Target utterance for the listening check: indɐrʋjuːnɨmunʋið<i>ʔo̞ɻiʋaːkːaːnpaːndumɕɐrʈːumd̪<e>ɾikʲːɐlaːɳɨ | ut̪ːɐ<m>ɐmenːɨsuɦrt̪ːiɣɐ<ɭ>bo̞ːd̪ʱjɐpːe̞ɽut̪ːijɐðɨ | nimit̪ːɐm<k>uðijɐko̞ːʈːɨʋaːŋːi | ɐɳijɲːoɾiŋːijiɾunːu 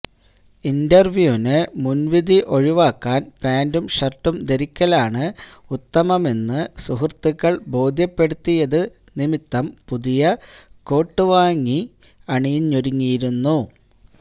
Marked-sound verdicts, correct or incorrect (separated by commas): correct, correct, correct, correct, incorrect